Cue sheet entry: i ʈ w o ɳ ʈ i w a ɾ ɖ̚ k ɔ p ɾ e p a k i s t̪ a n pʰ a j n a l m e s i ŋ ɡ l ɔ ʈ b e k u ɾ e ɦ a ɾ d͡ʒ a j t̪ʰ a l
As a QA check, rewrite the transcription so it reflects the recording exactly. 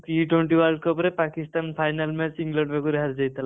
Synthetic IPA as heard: i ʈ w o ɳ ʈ i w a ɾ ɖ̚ k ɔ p ɾ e p a k i s t̪ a n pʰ a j n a l m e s i ŋ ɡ l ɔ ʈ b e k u ɾ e ɦ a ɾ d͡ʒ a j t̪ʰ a l